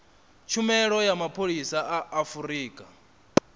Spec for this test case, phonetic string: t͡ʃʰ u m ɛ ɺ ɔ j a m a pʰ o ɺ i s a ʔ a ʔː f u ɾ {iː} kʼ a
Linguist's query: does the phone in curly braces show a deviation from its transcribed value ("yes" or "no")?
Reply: no